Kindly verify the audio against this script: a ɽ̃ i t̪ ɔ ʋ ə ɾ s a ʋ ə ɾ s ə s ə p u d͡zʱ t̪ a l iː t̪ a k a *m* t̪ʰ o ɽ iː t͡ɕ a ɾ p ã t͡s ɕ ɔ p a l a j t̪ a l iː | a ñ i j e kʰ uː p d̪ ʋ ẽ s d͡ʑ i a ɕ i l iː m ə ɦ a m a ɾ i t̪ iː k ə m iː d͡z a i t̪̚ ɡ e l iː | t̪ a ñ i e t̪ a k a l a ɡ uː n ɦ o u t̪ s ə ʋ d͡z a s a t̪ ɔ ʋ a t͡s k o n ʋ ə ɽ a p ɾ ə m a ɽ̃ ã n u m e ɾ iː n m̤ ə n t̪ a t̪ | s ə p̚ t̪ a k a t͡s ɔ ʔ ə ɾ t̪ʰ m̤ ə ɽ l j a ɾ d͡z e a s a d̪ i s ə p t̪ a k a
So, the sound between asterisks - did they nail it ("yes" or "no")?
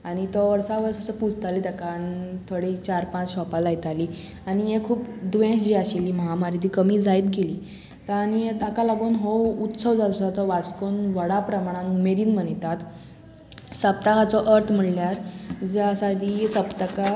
no